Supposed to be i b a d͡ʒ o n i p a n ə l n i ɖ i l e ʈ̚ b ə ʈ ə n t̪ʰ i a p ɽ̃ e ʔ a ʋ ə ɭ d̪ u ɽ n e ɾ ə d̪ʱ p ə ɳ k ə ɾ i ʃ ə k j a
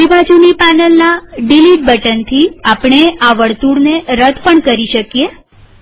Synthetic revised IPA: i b a d͡ʒ u n i p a n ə l n a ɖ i l i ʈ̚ b ə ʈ ə n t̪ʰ i a p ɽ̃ e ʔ a ʋ ə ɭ t̪ u ɽ n e ɾ ə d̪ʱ p ə ɳ k ə ɾ i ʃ ə k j e